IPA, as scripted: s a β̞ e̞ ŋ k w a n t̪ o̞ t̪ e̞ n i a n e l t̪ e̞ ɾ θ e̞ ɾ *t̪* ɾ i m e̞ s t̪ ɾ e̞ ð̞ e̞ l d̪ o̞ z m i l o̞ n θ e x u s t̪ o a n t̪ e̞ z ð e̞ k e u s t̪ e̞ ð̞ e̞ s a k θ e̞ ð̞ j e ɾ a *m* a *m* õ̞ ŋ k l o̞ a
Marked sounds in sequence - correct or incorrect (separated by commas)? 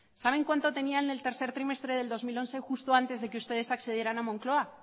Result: correct, incorrect, correct